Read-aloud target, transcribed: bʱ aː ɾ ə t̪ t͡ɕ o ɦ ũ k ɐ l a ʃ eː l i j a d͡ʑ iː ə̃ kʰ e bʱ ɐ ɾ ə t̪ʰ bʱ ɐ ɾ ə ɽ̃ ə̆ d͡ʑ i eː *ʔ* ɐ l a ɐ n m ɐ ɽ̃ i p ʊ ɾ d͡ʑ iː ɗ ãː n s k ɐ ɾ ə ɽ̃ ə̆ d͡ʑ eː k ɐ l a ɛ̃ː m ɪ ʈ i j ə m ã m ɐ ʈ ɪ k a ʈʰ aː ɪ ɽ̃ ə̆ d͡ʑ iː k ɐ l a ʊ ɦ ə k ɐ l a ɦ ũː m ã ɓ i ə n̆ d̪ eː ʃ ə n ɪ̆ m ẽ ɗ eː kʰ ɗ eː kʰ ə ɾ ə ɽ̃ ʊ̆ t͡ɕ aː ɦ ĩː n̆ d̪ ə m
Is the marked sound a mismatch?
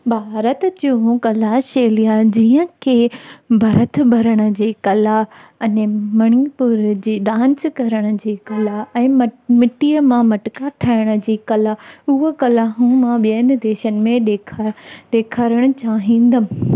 yes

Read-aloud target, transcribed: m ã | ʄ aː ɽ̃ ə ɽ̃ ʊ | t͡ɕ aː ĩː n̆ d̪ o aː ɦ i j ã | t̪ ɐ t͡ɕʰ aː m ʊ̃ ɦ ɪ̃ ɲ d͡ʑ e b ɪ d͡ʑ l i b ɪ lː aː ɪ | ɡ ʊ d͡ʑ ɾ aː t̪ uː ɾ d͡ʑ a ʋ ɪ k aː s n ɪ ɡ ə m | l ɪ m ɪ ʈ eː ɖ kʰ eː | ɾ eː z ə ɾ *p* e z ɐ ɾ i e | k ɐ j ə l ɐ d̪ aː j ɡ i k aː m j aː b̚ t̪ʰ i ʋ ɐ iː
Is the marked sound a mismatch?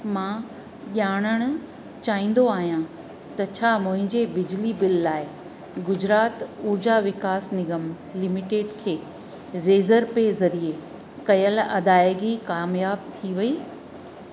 no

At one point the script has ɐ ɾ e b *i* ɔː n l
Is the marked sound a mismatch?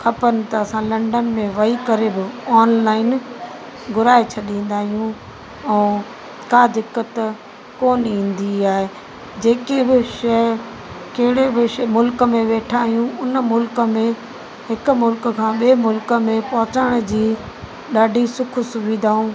yes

